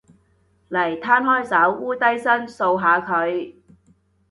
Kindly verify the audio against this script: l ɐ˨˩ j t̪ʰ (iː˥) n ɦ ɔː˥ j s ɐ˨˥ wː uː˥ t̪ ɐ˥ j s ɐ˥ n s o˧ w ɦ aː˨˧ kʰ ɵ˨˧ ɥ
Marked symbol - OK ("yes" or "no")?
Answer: no